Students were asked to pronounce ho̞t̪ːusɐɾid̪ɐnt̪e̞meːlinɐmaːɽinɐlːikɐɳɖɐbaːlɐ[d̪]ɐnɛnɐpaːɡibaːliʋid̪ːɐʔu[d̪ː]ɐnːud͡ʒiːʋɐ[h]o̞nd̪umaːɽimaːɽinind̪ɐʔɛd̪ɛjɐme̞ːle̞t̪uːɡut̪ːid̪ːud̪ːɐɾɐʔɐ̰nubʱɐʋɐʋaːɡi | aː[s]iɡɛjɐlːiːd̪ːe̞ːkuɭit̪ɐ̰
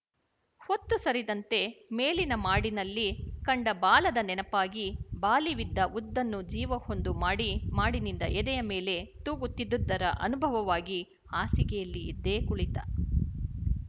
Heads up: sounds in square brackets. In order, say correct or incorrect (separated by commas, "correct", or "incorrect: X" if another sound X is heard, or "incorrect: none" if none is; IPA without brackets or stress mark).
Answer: correct, correct, correct, correct